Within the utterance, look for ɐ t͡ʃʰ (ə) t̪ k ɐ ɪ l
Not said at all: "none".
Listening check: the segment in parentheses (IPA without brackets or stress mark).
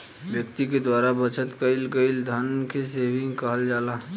ə